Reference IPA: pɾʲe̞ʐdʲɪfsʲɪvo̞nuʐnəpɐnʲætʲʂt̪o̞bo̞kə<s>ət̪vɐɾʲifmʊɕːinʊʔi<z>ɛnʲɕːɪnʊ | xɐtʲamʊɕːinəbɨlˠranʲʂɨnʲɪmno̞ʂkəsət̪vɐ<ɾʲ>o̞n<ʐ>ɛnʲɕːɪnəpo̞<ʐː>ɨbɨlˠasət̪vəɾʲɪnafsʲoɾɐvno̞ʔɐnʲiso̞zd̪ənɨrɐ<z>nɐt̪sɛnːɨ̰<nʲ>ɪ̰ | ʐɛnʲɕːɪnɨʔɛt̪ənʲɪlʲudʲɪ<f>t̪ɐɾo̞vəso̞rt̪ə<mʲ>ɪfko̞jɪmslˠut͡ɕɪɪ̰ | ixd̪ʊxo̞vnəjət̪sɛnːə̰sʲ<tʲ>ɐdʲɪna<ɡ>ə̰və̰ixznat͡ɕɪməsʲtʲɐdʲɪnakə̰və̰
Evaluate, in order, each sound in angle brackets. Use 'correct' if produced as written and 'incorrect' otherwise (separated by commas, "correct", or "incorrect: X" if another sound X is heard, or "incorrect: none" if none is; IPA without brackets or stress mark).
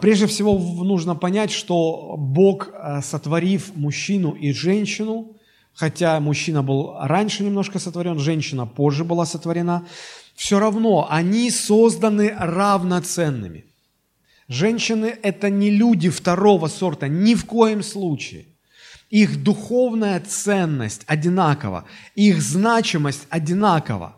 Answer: correct, incorrect: ʐ, correct, correct, correct, incorrect: v, incorrect: mʲ, correct, incorrect: nʲ, correct, incorrect: k